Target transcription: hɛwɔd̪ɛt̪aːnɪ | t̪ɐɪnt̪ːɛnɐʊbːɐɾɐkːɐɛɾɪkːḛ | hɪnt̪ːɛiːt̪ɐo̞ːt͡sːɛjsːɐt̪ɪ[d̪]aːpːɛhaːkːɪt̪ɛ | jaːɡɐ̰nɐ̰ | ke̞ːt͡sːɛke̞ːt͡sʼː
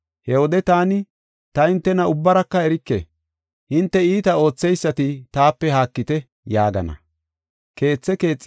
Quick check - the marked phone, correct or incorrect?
incorrect